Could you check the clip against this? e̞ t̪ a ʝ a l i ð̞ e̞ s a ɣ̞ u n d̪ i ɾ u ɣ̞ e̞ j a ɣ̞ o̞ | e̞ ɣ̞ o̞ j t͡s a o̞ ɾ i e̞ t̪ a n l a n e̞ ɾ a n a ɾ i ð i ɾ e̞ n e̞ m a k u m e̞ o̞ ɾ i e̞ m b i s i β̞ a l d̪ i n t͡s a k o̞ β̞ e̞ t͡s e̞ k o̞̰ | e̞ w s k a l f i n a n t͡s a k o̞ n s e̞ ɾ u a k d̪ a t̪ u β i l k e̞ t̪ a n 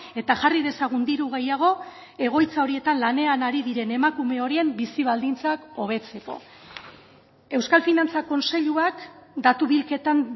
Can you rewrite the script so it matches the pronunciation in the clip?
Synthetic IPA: e̞ t̪ a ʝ a r i ð̞ e̞ s a ɣ̞ u n d̪ i ɾ u ɣ̞ e̞ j a ɣ̞ o̞ | e̞ ɣ̞ o̞ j t͡s a o̞ ɾ i e̞ t̪ a n l a n e̞ a n a ɾ i ð i ɾ e̞ n e̞ m a k u m e̞ o̞ ɾ i e̞ m b i s i β̞ a l d̪ i n t͡s a k o̞ β̞ e̞ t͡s e̞ k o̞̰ | e̞ w s k a l f i n a n t͡s a k o̞ n s e̞ ʎ u a k d̪ a t̪ u β i l k e̞ t̪ a n